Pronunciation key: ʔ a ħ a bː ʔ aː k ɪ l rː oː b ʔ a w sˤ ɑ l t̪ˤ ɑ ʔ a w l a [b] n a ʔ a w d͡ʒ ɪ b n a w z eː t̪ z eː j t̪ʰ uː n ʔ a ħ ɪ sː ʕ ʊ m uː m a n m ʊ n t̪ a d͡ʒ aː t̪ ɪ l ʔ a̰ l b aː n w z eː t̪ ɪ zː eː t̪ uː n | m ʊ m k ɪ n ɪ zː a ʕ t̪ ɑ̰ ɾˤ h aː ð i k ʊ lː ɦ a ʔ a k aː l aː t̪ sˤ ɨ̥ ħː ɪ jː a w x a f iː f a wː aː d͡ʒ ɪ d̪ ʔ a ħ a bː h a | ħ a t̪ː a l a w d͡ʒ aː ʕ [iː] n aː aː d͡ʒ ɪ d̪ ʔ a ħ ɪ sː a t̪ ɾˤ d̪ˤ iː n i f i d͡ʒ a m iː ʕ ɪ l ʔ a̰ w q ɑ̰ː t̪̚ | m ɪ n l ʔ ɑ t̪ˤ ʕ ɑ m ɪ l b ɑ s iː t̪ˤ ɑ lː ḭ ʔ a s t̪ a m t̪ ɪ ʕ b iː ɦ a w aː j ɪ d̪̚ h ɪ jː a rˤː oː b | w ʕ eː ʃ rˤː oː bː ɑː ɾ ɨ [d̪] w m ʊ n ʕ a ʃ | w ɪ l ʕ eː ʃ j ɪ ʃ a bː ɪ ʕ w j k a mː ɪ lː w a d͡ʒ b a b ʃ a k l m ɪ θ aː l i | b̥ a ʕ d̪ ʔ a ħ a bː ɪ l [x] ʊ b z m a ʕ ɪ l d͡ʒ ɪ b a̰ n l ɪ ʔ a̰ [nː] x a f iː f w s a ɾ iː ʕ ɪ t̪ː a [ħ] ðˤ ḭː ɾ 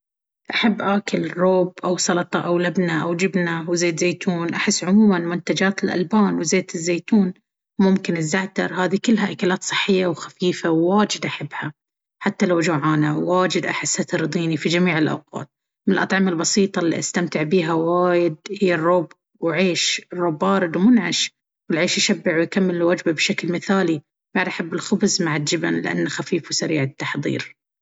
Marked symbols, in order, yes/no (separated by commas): yes, no, yes, yes, yes, yes